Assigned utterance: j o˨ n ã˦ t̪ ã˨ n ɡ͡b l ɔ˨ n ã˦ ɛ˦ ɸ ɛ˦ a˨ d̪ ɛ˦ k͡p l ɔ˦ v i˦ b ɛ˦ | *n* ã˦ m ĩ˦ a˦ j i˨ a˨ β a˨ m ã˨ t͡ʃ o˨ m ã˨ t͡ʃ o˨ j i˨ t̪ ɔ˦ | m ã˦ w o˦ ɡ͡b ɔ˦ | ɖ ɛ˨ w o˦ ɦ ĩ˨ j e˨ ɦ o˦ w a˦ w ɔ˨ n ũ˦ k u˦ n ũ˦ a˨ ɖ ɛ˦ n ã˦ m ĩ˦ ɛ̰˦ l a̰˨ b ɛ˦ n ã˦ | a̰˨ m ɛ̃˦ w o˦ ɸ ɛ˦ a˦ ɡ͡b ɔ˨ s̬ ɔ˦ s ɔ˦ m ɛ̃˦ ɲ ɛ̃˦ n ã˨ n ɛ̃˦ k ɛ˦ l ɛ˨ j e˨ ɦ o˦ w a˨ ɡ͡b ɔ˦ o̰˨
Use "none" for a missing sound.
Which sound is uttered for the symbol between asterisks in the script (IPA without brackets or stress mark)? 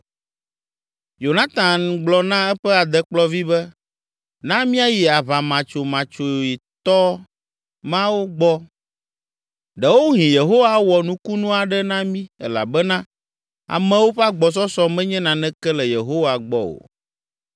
n